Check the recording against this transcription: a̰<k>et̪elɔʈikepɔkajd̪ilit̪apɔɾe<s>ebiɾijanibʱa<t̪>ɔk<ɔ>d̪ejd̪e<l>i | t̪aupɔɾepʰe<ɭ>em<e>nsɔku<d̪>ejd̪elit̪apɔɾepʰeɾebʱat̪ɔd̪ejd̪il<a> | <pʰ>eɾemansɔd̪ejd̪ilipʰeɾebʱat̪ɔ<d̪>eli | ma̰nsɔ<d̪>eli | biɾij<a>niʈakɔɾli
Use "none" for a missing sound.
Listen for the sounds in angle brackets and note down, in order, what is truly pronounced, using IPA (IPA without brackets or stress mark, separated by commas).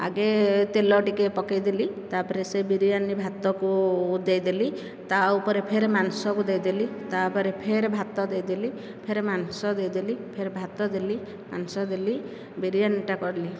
ɡ, s, t̪, u, l, ɾ, a, d̪, i, pʰ, d̪, d̪, a